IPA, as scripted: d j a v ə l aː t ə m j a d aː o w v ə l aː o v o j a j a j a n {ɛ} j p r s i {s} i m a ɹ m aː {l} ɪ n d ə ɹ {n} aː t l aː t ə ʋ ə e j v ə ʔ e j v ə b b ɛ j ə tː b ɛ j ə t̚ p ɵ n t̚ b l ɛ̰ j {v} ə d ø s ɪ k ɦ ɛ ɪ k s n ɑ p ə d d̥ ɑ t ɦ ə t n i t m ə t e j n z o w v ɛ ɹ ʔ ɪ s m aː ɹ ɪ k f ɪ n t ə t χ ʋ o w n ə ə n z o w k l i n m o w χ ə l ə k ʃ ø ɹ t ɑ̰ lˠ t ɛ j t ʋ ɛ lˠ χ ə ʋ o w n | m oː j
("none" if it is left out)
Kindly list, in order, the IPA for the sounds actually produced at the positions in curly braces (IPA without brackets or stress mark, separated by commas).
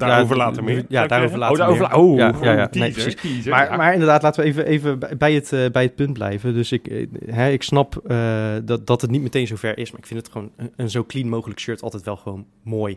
e, s, ɹ, d, v